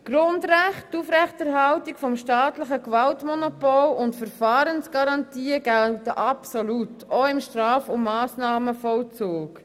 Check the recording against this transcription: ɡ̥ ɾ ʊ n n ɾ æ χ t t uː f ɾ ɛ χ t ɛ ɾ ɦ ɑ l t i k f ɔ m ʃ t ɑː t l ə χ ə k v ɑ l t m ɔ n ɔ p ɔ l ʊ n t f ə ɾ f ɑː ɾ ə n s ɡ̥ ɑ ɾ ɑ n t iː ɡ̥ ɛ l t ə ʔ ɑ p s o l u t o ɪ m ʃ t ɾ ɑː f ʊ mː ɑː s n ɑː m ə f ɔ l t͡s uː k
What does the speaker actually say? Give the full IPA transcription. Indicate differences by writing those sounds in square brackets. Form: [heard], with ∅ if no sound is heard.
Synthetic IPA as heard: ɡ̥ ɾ ʊ n [d] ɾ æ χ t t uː f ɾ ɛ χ t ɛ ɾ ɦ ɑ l t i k f ɔ m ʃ t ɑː t l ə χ ə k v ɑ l t m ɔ n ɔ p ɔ l ʊ n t f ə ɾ f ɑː ɾ ə n s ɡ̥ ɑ ɾ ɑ n t iː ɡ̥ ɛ l t ə ʔ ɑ p s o l u t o ɪ m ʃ t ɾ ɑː f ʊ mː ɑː s n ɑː m ə f ɔ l t͡s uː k

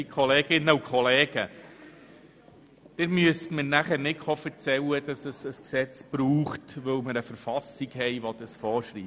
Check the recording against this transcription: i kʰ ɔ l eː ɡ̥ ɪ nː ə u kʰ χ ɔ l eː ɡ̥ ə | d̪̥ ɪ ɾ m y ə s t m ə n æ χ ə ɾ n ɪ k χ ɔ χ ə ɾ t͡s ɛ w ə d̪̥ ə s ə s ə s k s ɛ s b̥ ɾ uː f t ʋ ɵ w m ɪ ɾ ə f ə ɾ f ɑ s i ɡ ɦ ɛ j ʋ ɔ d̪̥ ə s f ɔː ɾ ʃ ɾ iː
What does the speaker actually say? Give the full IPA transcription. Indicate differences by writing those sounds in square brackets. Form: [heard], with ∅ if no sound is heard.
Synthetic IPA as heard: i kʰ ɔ l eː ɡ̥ ɪ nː ə u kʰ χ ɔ l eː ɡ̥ ə | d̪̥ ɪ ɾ m y ə s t m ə n æ χ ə ɾ n ɪ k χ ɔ [f] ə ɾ t͡s ɛ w ə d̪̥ [ɑ] s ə s ə s k s ɛ [t͡s] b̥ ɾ uː [χ] t ʋ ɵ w m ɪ ɾ ə f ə ɾ f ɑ s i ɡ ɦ ɛ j ʋ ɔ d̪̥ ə s f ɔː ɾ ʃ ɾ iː

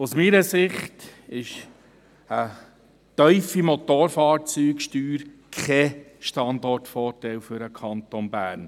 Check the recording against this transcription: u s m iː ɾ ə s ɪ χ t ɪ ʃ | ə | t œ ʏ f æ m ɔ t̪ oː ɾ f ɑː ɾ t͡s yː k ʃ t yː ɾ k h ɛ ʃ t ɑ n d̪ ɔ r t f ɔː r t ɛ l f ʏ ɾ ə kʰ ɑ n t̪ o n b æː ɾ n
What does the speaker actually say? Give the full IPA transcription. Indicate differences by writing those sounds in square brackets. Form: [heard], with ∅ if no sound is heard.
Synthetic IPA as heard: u s m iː ɾ ə s ɪ χ t ɪ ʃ | ə | t œ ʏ f [i] m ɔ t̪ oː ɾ f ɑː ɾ t͡s yː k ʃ t yː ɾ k [χ] ɛ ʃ t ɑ n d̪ ɔ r t f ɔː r t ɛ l f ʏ ɾ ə kʰ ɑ n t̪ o n b æː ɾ n

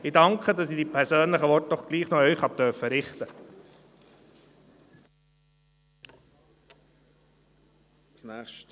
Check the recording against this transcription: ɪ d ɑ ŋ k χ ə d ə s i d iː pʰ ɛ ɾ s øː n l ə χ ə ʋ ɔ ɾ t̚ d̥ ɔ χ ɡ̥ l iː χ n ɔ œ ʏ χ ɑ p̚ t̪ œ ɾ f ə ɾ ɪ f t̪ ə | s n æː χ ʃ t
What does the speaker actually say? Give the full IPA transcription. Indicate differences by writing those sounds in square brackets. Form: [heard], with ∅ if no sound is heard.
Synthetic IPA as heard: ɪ d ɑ ŋ k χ ə d [ɑ] s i d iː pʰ ɛ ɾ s øː n l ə χ ə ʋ ɔ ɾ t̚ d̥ ɔ χ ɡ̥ l iː χ n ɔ œ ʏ χ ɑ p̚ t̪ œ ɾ f ə ɾ ɪ [χ] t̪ ə | s n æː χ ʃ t

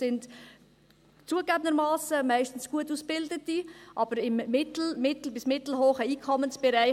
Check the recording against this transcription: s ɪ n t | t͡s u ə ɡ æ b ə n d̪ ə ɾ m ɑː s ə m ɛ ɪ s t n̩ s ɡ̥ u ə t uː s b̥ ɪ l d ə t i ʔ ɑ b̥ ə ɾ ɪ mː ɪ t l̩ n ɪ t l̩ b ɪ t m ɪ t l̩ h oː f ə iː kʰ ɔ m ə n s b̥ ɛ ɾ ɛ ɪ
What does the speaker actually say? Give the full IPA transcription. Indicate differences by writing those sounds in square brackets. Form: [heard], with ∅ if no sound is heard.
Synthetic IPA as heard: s ɪ n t | t͡s u ə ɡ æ b ə n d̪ ə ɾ m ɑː s ə m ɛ ɪ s t n̩ s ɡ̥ u ə t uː s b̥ ɪ l d ə t i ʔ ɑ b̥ ə ɾ ɪ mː ɪ t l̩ [m] ɪ t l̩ b ɪ [s] m ɪ t l̩ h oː [χ] ə iː kʰ ɔ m ə n s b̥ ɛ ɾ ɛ ɪ

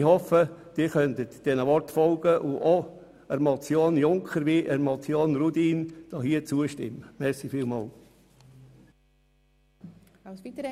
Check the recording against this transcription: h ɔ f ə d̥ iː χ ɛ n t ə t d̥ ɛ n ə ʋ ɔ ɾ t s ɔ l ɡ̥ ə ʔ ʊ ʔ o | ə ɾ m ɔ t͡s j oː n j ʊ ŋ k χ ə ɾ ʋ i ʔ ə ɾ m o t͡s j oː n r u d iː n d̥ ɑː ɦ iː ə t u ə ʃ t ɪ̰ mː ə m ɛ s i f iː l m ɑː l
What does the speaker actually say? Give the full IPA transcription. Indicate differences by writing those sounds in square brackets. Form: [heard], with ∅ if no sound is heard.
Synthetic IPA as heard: h ɔ f ə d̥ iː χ [œ] n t ə t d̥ ɛ n ə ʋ ɔ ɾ t [f] ɔ l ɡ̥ ə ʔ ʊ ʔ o | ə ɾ m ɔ t͡s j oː n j ʊ ŋ k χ ə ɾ ʋ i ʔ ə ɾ m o t͡s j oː n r u d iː n d̥ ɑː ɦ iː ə [t͡s] u ə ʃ t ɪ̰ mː ə m ɛ s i f iː l m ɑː l

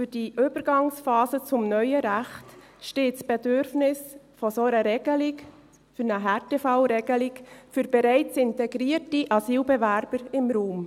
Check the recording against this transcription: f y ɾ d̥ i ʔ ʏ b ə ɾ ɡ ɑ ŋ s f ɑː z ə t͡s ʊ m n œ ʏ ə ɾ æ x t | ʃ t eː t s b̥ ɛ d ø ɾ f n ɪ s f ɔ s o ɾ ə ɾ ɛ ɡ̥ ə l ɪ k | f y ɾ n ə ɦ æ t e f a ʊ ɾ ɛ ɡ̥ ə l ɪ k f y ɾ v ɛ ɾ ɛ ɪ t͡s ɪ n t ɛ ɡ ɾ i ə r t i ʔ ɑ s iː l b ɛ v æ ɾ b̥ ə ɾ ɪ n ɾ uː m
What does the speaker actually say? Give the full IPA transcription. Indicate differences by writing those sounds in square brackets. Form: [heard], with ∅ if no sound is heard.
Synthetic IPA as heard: f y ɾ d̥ i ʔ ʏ b ə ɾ ɡ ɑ ŋ s f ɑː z ə t͡s ʊ m n œ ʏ ə ɾ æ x t | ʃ t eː t s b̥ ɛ d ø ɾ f n ɪ s f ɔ s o ɾ ə ɾ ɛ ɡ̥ ə l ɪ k | f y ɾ n ə ɦ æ t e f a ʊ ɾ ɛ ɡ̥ ə l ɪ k f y ɾ [b] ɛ ɾ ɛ ɪ t͡s ɪ n t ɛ ɡ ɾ i ə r t i ʔ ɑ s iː l b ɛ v æ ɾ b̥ ə ɾ ɪ [m] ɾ uː m

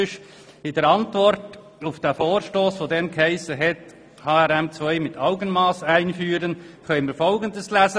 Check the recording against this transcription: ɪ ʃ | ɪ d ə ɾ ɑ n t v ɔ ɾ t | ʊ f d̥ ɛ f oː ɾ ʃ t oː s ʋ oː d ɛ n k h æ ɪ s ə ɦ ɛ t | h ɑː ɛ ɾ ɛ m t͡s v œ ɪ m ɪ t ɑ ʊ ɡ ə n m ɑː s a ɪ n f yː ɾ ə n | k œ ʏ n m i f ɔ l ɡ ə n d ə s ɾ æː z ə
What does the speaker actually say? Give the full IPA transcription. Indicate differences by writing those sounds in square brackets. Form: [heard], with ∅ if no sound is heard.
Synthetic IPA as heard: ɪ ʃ | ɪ d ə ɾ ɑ n t v ɔ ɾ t | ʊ f d̥ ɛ f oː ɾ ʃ t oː s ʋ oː d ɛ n k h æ ɪ s ə ɦ ɛ t | h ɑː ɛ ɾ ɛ m t͡s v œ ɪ m ɪ t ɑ ʊ ɡ ə n m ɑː s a ɪ n f yː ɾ ə n | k œ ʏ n m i f ɔ l ɡ ə n d ə s [l] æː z ə

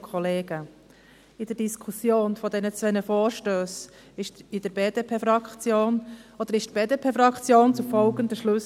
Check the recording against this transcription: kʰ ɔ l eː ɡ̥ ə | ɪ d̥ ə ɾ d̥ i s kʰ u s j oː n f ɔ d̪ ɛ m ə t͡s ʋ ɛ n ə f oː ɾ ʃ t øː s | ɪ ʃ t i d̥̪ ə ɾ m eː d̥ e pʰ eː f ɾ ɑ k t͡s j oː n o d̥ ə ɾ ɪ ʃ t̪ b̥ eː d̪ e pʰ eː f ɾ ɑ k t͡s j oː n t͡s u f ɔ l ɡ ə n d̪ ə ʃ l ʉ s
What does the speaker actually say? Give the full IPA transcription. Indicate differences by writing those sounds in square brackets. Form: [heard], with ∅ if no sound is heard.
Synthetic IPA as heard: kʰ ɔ l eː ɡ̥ ə | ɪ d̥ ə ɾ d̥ i s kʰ u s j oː n f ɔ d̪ ɛ [n] ə t͡s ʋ ɛ n ə f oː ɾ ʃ t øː s | ɪ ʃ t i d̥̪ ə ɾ [b] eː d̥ e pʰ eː f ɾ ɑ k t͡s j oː n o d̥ ə ɾ ɪ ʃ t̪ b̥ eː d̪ e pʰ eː f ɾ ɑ k t͡s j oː n t͡s u f ɔ l ɡ ə n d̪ ə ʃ l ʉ s

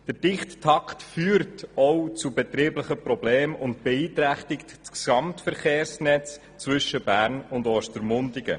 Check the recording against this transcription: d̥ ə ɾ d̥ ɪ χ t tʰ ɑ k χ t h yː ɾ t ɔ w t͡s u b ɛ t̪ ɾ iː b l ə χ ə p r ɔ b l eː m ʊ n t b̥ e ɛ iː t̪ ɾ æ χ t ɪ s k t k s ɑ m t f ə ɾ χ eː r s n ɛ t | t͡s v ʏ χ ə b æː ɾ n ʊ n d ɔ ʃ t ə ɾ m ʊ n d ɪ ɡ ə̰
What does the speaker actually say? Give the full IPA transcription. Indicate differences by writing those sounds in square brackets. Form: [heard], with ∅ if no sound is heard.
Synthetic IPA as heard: d̥ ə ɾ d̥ ɪ χ t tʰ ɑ k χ t [f] yː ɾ t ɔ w t͡s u b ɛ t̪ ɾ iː b l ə χ ə p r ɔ b l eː m ʊ n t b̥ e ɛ iː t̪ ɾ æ χ t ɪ [∅] k t k s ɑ m t f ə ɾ χ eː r s n ɛ [t͡s] | t͡s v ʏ [ʃ] ə b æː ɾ n ʊ n d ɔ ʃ t ə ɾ m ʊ n d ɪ ɡ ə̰

